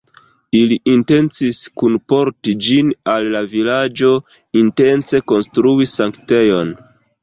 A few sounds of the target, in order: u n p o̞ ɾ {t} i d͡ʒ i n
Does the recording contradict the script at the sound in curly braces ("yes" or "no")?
no